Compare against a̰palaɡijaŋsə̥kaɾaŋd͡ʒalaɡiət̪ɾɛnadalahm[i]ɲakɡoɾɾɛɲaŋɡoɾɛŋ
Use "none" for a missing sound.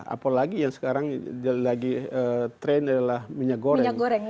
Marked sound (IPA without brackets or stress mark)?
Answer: i